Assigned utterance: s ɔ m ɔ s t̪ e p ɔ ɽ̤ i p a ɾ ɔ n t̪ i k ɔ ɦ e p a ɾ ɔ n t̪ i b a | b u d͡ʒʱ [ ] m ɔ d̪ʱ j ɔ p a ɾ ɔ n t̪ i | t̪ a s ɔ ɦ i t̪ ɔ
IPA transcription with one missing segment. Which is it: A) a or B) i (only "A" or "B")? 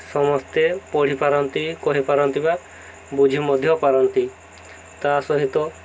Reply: B